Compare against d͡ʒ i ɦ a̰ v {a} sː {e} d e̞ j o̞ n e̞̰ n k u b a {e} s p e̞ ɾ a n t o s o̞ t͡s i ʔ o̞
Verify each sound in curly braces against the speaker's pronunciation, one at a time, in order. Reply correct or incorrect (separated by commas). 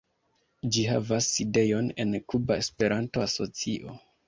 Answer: correct, incorrect, correct